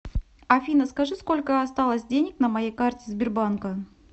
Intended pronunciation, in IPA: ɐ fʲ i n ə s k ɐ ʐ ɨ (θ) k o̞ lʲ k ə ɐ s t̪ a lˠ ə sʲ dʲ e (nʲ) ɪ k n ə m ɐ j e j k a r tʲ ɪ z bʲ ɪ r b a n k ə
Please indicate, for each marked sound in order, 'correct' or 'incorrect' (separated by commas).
incorrect, correct